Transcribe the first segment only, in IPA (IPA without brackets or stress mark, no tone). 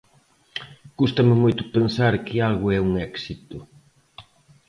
k